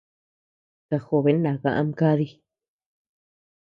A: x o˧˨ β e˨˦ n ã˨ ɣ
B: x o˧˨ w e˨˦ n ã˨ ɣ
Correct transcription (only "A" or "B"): A